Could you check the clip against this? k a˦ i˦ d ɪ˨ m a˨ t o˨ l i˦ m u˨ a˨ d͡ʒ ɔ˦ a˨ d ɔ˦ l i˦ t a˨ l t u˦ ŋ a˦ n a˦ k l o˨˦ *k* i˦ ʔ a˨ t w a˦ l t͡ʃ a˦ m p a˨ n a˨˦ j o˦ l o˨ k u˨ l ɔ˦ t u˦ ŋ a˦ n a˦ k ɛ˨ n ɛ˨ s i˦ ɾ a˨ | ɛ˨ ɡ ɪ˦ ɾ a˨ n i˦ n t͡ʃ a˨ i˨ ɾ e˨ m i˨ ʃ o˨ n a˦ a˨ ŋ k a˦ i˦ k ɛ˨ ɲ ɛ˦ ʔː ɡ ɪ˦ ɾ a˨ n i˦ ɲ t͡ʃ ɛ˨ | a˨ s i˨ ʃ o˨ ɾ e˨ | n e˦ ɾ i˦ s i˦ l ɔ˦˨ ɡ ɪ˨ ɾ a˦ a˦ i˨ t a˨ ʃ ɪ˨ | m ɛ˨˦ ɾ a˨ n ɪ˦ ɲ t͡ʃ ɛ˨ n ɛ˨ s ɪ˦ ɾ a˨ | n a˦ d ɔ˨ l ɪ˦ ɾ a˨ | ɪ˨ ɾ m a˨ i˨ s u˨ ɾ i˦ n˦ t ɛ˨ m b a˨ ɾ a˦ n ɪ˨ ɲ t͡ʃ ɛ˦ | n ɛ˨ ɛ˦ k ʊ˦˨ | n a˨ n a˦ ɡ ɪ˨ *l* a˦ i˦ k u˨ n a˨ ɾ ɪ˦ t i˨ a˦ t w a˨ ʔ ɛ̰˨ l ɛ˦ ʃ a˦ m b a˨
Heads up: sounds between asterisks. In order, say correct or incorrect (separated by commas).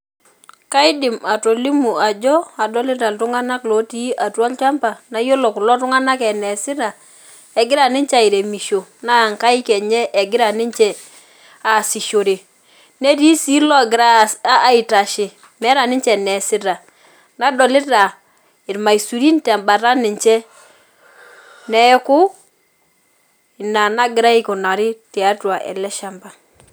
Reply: incorrect, incorrect